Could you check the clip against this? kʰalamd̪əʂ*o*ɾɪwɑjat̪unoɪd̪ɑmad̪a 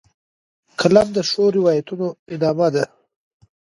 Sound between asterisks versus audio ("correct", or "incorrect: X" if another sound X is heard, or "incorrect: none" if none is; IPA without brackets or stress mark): correct